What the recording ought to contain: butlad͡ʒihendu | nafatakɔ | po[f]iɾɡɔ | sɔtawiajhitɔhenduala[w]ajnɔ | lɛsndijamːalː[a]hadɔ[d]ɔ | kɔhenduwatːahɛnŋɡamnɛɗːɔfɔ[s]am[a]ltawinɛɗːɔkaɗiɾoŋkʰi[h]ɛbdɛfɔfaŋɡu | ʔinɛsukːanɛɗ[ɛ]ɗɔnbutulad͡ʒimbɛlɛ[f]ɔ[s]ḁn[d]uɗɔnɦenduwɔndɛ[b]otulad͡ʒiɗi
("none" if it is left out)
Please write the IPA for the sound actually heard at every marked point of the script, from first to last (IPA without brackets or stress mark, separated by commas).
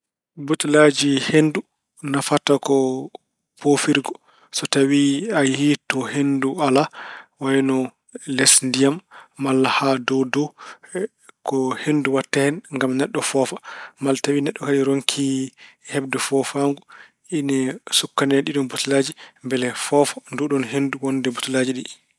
f, w, a, d, f, a, h, i, f, f, d, b